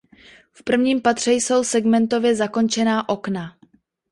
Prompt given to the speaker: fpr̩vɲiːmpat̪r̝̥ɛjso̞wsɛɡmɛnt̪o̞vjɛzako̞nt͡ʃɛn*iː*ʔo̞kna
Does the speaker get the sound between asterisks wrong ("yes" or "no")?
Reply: yes